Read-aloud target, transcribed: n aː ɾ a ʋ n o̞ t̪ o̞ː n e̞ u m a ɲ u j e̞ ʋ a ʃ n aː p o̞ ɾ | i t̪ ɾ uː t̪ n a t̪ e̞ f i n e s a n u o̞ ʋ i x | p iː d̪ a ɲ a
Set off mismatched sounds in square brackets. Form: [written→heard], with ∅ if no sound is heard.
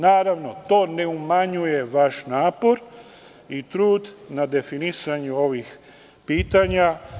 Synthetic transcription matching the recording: n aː ɾ a ʋ n o̞ t̪ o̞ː n e̞ u m a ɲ u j e̞ ʋ a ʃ n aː p o̞ ɾ | i t̪ ɾ uː [t̪→d̪] n a [t̪→d̪] e̞ f i n [e→i] s a [n→ɲ] u o̞ ʋ i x | p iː [d̪→t̪] a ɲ a